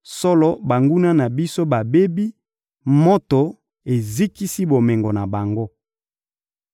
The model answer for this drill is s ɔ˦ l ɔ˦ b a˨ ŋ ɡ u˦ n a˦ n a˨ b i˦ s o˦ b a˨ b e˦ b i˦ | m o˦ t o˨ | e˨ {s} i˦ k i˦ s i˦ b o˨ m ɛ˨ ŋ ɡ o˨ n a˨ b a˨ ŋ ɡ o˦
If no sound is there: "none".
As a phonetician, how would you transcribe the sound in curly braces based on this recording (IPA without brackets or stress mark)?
z